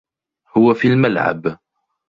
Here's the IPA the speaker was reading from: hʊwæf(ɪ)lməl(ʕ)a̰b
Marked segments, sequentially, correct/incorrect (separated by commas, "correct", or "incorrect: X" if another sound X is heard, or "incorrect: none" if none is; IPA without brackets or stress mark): incorrect: i, correct